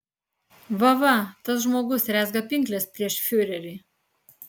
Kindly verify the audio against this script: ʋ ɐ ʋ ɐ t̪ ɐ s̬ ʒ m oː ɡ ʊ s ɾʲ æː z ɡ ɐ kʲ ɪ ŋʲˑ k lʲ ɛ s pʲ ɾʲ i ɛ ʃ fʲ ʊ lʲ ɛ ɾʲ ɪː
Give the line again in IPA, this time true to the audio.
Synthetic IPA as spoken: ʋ ɐ ʋ ɐ t̪ ɐ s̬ ʒ m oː ɡ ʊ s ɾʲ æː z ɡ ɐ pʲ ɪ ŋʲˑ k lʲ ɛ s pʲ ɾʲ i ɛ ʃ fʲ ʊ ɾʲ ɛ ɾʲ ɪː